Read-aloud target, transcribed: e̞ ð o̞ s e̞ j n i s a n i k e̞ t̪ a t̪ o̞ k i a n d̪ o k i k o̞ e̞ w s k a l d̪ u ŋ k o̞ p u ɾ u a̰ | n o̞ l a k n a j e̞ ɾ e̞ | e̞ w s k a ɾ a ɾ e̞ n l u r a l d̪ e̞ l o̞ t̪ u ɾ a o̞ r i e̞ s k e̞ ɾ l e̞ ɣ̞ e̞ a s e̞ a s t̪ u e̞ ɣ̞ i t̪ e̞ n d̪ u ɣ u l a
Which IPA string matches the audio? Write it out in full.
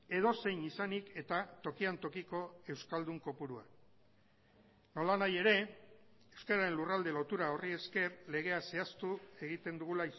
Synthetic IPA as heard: e̞ ð o̞ s e̞ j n i s a n i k e̞ t̪ a t̪ o̞ k i a n t̪ o k i k o̞ e̞ w s k a l d̪ u ŋ k o̞ p u ɾ u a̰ | n o̞ l a n a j e̞ ɾ e̞ | e̞ w s k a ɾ a ɾ e̞ n l u r a l d̪ e̞ l o̞ t̪ u ɾ a o̞ r i e̞ s k e̞ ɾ l e̞ ɣ̞ e̞ a s e̞ a s t̪ u e̞ ɣ̞ i t̪ e̞ n d̪ u ɣ u l a